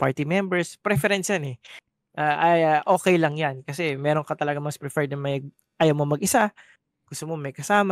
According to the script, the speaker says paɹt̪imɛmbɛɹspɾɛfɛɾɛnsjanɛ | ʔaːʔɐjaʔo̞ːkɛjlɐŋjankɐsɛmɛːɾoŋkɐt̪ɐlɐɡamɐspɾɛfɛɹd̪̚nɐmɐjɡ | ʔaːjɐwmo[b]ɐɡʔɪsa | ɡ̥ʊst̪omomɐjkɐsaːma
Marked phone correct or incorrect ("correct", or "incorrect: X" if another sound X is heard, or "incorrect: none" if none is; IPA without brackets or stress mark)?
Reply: incorrect: m